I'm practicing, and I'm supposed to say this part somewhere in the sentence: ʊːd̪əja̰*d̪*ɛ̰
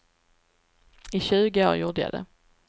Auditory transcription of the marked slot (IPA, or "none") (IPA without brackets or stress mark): d̪